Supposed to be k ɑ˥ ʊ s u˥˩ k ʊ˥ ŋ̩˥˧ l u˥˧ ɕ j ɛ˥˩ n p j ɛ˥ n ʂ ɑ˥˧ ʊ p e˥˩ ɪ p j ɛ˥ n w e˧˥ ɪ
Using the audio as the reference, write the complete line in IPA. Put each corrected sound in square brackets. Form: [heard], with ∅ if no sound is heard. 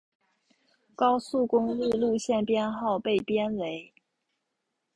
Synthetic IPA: k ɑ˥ ʊ s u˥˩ k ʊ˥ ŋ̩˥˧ l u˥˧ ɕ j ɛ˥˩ n p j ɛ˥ n [x] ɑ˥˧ ʊ p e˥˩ ɪ p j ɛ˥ n w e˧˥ ɪ